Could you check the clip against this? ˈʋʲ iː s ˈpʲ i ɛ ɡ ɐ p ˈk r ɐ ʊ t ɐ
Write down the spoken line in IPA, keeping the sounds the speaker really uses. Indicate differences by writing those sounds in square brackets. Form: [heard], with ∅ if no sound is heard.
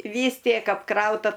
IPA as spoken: ˈʋʲ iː s [ˈtʲ] i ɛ [k] ɐ p ˈk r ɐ ʊ t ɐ